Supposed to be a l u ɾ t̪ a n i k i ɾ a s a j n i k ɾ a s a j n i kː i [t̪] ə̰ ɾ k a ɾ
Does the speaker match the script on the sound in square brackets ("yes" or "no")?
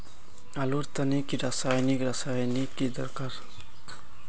no